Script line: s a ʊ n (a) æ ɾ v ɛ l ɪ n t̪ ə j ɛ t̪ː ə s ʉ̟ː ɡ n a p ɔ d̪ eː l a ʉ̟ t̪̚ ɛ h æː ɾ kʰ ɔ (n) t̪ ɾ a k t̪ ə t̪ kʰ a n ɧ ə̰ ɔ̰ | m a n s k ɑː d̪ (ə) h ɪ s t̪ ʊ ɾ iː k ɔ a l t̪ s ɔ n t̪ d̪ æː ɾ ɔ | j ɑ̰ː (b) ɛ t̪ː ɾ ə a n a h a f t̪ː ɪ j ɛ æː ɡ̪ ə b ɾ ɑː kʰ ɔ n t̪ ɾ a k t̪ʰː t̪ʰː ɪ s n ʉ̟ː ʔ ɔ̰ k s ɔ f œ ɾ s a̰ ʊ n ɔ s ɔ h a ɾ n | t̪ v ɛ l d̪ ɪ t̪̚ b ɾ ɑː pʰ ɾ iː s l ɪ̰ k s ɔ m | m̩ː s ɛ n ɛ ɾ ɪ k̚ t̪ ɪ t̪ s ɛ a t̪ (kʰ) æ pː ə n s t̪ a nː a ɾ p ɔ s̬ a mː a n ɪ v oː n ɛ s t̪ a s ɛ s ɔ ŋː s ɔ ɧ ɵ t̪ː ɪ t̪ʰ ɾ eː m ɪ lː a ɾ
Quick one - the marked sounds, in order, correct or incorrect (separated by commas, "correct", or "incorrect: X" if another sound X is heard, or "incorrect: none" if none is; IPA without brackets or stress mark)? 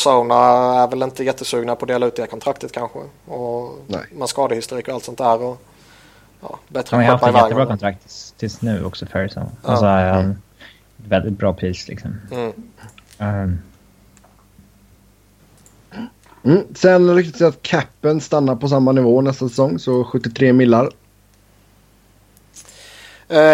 correct, correct, correct, correct, correct